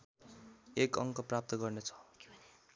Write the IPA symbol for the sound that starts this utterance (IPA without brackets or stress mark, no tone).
e